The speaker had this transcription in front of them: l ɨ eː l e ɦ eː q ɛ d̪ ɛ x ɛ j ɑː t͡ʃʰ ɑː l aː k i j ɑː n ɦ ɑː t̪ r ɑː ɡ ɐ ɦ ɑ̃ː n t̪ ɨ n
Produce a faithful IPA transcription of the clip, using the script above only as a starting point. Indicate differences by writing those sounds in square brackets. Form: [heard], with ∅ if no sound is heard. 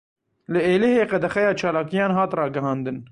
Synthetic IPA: l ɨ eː l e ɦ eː q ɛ d̪ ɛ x ɛ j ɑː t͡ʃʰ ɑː l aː k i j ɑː n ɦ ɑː t̪ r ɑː ɡ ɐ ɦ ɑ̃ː n [d̪] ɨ n